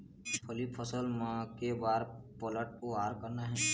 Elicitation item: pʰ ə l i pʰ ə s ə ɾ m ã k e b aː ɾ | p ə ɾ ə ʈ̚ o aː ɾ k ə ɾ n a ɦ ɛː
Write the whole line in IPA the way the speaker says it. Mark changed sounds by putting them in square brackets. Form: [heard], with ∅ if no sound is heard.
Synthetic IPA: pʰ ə l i pʰ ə s ə [l] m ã k e b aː ɾ | p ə [l] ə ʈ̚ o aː ɾ k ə ɾ n a ɦ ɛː